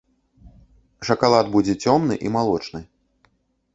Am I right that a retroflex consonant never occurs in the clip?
no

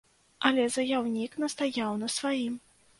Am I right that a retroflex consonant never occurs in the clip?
yes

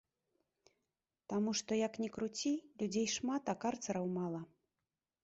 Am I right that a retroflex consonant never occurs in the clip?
no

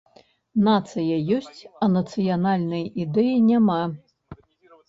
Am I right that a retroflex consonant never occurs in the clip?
yes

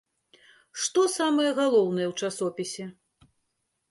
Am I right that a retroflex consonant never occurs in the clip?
no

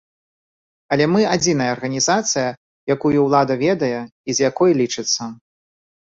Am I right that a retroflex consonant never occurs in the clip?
no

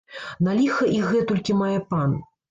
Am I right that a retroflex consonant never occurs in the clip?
yes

